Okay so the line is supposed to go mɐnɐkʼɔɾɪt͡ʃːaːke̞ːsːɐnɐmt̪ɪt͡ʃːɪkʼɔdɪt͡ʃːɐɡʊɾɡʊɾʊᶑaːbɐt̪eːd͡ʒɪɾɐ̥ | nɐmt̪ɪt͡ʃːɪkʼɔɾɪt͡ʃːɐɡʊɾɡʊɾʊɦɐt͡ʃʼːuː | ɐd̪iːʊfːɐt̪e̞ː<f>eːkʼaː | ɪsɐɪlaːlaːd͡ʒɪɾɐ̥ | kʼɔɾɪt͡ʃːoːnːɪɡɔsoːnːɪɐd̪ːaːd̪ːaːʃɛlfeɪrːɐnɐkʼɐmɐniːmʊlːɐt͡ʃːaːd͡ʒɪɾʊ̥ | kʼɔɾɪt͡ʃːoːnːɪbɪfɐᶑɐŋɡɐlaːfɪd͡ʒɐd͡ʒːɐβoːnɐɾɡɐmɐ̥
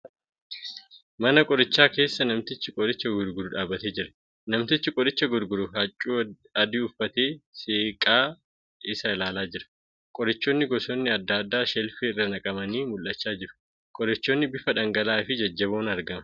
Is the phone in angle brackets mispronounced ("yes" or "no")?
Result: yes